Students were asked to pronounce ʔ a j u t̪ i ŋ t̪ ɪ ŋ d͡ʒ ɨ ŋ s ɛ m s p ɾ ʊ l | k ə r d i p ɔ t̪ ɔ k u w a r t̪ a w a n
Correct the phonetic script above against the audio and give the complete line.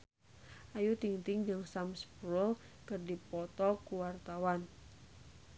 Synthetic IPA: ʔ a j u t̪ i ŋ t̪ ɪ ŋ d͡ʒ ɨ ŋ s a m s p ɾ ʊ l | k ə r d i p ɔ t̪ ɔ k u w a r t̪ a w a n